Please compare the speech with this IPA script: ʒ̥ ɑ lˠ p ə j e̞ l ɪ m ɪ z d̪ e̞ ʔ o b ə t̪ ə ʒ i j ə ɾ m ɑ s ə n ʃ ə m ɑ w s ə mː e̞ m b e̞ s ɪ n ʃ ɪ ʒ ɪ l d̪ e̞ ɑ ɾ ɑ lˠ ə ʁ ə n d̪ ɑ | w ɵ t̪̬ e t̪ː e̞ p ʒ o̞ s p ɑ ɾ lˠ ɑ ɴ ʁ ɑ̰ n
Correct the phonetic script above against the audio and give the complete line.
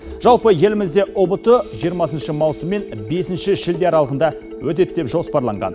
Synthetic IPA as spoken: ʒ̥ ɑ lˠ p ə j e̞ l ɪ m ɪ z d̪ e̞ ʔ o b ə t̪ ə ʒ i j ə ɾ m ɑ s ə n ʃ ə m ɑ w s ə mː e̞ n b e̞ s ɪ n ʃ ɪ ʒ ɪ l d̪ e̞ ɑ ɾ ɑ lˠ ə ʁ ə n d̪ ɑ | w ɵ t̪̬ e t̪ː e̞ p ʒ o̞ s p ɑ ɾ lˠ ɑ ɴ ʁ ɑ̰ n